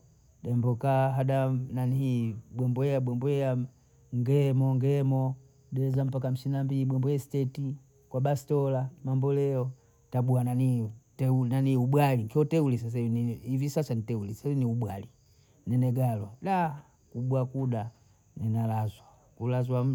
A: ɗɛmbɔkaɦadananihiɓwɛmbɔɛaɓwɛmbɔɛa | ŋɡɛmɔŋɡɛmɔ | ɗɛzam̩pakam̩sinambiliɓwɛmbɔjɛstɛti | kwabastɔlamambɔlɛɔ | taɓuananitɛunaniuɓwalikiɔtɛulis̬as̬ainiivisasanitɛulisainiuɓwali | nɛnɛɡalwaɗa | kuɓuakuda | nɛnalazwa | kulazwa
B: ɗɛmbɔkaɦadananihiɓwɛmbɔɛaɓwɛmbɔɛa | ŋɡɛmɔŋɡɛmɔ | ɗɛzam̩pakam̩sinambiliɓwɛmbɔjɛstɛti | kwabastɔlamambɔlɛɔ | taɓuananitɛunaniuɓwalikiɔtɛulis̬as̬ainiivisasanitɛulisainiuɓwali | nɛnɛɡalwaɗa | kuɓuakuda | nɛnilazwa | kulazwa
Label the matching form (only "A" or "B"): A